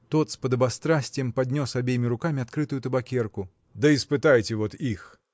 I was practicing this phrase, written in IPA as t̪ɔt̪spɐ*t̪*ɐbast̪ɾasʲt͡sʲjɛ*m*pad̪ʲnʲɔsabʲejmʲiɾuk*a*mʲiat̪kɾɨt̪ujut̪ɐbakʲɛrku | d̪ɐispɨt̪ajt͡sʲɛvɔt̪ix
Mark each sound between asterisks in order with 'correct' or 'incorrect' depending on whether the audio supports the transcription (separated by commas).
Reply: incorrect, correct, correct